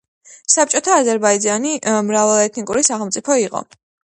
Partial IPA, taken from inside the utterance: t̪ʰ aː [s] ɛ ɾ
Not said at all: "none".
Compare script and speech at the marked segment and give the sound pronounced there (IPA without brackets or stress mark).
z